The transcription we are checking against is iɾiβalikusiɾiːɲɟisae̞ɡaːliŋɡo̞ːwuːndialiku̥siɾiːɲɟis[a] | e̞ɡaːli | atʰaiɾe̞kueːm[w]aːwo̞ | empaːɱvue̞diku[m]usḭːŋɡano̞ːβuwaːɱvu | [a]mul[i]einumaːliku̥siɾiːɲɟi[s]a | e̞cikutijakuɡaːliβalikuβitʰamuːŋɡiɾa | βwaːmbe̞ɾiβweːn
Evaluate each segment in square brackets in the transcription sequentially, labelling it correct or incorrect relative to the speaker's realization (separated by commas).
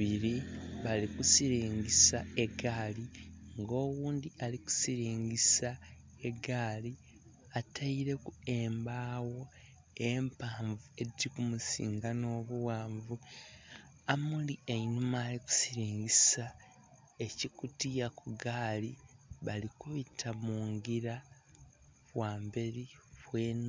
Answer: correct, incorrect, correct, correct, correct, correct